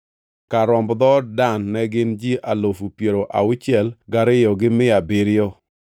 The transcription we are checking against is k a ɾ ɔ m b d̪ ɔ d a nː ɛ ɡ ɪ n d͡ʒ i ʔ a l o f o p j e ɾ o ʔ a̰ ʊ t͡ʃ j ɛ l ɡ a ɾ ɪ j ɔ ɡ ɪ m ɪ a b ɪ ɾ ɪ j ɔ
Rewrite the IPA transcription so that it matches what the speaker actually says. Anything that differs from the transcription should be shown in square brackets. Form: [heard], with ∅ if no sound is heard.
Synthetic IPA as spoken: k a ɾ ɔ m b d̪ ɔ d a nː ɛ ɡ ɪ n d͡ʒ i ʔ a l o f [u] p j e ɾ o ʔ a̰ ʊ t͡ʃ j ɛ l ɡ a ɾ ɪ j ɔ ɡ ɪ m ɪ a b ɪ ɾ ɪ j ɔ

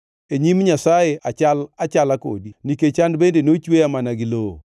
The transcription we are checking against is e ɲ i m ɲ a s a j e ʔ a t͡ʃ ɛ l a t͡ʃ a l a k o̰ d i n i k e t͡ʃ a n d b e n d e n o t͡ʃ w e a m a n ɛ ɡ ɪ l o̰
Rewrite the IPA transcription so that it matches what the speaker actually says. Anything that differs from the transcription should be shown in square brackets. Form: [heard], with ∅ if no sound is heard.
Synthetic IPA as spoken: e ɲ i m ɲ a s a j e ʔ a t͡ʃ [a] l a t͡ʃ a l a k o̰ d i n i k e t͡ʃ a n d b e n d e n o t͡ʃ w e a m a n [a] ɡ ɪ l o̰

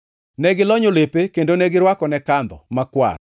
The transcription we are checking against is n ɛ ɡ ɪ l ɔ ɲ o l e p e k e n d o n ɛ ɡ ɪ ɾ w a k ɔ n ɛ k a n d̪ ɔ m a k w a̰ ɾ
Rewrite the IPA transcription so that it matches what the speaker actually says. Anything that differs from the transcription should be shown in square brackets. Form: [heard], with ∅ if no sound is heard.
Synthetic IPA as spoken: n ɛ ɡ ɪ l ɔ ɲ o l e p e k e n d o n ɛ ɡ ɪ ɾ w a k ɔ n ɛ k a n d̪ ɔ m a k w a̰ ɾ

